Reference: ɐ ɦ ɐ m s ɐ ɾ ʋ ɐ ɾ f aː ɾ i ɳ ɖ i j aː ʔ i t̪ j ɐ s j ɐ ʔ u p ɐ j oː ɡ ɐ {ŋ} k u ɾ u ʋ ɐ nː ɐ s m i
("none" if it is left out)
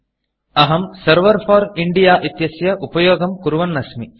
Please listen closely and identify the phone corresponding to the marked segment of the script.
m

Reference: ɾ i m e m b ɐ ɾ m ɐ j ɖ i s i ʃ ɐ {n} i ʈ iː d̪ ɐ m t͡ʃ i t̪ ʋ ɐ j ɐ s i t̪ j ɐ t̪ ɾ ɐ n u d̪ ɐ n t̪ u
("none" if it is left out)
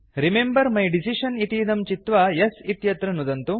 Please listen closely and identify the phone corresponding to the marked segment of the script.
n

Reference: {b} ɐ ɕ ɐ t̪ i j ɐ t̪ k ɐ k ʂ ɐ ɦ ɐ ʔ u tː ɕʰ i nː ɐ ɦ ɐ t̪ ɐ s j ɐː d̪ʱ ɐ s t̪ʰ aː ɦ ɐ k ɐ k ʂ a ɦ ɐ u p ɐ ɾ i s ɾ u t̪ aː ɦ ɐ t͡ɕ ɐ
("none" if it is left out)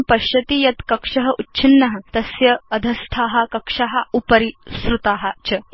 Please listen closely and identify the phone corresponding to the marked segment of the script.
p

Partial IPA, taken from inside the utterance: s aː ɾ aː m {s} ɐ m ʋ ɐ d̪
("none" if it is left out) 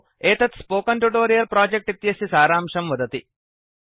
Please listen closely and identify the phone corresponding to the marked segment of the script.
ʂ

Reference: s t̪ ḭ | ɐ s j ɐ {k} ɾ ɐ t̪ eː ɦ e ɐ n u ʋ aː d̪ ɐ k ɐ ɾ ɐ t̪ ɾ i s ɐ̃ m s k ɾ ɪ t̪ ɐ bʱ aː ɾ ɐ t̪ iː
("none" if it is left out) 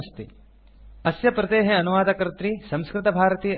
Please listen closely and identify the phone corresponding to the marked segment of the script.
p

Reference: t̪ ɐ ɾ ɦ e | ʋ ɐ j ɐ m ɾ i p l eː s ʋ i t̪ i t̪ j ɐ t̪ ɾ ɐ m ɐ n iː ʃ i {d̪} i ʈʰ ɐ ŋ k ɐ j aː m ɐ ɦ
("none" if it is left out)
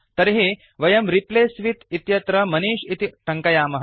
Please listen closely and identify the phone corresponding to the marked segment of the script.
t̪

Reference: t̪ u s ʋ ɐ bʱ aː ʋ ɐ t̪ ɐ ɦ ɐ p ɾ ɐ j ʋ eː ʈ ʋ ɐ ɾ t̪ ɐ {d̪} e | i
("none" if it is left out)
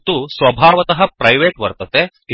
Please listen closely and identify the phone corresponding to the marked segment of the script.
t̪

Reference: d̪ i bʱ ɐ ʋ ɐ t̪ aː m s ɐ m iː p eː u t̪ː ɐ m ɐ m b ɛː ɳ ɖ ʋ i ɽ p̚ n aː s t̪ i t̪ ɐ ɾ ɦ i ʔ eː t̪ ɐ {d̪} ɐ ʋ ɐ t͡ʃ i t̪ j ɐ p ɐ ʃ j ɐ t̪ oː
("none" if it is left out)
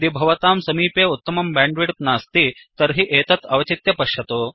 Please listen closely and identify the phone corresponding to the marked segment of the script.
t̪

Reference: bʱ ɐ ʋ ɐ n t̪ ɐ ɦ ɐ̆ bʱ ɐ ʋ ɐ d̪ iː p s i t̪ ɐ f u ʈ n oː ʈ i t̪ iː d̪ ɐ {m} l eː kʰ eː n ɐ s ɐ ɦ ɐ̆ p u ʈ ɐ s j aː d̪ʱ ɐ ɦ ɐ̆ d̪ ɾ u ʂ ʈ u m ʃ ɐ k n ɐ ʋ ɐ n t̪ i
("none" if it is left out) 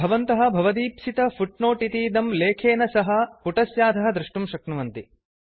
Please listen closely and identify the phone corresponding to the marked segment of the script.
m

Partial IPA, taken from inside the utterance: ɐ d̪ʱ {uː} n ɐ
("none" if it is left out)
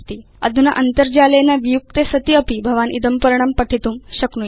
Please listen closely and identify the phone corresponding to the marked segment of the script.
u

